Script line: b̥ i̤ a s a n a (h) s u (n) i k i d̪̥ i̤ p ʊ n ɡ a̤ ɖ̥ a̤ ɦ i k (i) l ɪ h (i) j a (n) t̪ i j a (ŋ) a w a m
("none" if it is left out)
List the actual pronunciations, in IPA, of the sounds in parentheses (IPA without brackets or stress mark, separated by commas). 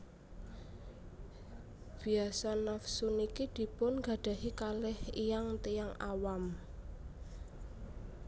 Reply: f, n, a, i, ŋ, ŋ